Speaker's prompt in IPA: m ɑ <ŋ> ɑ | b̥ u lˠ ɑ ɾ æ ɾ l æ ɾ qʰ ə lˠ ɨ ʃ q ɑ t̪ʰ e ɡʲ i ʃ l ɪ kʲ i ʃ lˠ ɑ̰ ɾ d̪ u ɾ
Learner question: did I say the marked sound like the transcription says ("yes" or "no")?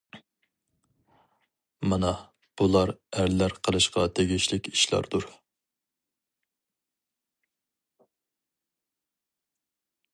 no